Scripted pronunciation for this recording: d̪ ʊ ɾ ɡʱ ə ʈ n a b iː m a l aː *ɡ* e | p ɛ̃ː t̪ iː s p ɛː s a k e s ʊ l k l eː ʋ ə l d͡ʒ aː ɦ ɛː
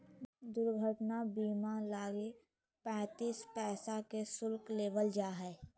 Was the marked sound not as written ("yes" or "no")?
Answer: no